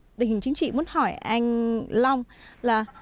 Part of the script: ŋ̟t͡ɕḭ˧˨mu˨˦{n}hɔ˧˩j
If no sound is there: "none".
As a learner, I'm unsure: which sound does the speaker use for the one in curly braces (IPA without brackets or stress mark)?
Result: n